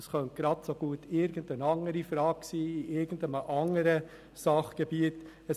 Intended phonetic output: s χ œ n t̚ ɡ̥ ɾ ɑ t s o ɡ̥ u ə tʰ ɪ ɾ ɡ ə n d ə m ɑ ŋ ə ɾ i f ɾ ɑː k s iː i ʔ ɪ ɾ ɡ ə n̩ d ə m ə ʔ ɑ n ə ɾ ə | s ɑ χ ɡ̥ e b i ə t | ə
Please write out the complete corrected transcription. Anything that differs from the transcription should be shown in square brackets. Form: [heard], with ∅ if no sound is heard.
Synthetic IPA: s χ œ n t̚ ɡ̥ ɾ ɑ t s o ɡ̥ u ə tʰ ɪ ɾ ɡ ə n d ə [n] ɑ ŋ ə ɾ i f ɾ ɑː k s iː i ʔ ɪ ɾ ɡ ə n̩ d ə m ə ʔ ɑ [ŋ] ə ɾ ə | s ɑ χ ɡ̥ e b i ə t | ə

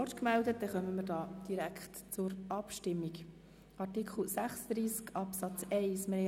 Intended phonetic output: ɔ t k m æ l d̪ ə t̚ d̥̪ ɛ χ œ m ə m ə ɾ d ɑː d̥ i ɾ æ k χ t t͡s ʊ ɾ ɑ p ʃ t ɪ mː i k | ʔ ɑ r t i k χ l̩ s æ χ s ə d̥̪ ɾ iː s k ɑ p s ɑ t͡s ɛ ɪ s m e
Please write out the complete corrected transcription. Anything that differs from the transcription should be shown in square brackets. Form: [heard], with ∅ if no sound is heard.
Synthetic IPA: ɔ t k m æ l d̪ ə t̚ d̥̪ ɛ χ œ m ə m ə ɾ d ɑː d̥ i ɾ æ k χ t t͡s ʊ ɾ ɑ p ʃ t ɪ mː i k | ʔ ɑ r t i k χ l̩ s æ χ s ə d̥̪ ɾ iː s k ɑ p s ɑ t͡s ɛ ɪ s m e

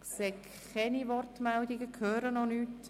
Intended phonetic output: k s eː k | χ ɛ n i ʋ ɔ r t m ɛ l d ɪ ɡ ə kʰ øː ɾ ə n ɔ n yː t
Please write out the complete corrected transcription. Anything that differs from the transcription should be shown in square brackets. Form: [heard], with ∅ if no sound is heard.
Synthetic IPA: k s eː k | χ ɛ n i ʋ ɔ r t m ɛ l d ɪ ɡ ə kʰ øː ɾ ə n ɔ n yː t

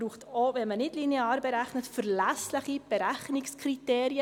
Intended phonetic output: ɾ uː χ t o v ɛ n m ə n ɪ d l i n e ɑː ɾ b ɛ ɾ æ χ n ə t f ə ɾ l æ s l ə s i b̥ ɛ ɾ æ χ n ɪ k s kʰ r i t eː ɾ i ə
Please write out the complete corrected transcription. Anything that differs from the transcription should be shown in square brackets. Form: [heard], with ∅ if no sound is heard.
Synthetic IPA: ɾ uː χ t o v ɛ n m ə n ɪ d l i n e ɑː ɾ b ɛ ɾ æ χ n ə t f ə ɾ l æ s l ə [χ] i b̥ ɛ ɾ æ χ n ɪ k s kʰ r i t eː ɾ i ə

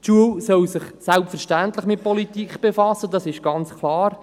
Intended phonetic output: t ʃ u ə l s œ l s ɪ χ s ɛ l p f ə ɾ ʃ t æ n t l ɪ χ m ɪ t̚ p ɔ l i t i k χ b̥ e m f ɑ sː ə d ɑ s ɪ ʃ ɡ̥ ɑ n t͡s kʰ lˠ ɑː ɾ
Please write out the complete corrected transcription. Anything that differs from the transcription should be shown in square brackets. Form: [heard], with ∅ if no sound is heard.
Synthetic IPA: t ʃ u ə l s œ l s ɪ χ s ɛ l p f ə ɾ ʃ t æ n t l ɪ χ m ɪ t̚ p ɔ l i t i k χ b̥ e [∅] f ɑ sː ə d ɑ s ɪ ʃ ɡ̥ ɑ n t͡s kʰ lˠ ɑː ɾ

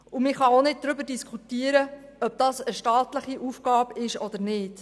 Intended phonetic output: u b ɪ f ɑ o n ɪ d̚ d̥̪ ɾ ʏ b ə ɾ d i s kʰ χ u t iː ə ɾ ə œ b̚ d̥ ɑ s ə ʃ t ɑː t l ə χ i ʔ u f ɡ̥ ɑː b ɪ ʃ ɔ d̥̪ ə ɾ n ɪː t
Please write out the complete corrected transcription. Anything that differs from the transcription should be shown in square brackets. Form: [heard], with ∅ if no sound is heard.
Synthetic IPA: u [m] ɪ [χ] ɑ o n ɪ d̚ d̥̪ ɾ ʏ b ə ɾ d i s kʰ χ u t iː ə ɾ ə œ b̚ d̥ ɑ s ə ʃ t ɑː t l ə χ i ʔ u f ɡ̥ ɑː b ɪ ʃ ɔ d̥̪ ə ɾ n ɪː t

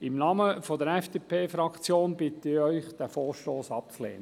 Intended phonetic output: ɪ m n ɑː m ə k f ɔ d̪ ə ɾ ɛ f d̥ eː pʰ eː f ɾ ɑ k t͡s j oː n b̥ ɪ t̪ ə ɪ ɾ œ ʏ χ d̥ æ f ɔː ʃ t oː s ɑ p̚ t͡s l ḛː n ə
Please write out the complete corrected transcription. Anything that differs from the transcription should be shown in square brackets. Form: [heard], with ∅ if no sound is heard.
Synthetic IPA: ɪ m n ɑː m ə [∅] f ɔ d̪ ə ɾ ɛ f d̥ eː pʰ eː f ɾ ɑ k t͡s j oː n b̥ ɪ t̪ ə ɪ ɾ œ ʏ χ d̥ æ f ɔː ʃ t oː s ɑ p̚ t͡s l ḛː n ə

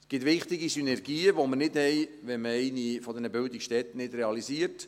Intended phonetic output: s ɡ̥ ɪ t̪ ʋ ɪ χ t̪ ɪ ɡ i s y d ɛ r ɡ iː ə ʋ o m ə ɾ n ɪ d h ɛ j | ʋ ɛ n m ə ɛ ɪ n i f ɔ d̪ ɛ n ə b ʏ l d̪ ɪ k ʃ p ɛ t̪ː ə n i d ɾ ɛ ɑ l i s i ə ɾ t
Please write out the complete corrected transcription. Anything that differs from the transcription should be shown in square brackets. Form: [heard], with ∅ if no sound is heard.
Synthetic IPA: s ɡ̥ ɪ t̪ ʋ ɪ χ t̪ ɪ ɡ i s y [n] ɛ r ɡ iː ə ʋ o m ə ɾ n ɪ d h ɛ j | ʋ ɛ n m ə ɛ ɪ n i f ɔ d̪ ɛ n ə b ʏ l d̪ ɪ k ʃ [t] ɛ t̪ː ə n [ɪ] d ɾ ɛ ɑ l i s i ə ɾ t

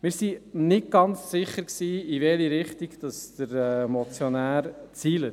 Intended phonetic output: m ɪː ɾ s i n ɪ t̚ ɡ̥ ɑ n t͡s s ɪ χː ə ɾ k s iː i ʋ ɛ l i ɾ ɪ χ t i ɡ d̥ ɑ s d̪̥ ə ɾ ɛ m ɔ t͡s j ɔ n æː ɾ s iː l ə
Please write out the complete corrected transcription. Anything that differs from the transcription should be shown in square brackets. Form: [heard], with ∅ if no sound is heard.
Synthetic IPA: m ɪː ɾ s i n ɪ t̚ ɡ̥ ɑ n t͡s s ɪ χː ə ɾ k s iː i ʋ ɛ l i ɾ ɪ χ t i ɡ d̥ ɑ s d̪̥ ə ɾ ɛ m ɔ t͡s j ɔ n æː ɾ [t͡s] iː l ə

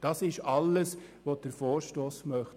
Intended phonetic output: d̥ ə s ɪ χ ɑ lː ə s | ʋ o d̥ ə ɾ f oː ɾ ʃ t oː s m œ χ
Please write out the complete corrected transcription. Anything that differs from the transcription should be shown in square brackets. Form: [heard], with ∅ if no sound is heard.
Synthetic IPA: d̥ [ɑ] s ɪ [ʃ] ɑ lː ə s | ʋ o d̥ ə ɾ f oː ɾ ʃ t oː s m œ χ

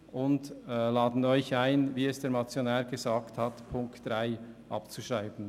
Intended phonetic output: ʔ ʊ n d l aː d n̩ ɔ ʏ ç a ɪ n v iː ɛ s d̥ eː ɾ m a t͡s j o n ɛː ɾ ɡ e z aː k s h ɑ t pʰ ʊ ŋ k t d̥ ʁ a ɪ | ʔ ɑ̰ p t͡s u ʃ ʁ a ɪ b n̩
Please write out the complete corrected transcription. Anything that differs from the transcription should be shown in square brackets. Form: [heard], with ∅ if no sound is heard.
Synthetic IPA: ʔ ʊ n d l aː d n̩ ɔ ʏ ç a ɪ n v iː ɛ s d̥ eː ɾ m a t͡s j o n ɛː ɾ ɡ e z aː k [t] h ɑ t pʰ ʊ ŋ k t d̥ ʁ a ɪ | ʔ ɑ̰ p t͡s u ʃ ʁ a ɪ b n̩

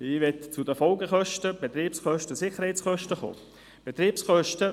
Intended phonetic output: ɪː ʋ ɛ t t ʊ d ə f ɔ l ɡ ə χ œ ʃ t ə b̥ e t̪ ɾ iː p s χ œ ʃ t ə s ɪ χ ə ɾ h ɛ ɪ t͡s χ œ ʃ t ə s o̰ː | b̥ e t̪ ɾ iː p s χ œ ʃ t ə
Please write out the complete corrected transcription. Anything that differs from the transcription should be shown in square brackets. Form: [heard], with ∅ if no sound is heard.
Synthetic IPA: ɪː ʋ ɛ t [t͡s] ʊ d ə f ɔ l ɡ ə χ œ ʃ t ə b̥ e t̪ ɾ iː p s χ œ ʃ t ə s ɪ χ ə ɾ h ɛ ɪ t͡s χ œ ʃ t ə [χ] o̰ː | b̥ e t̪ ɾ iː p s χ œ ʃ t ə

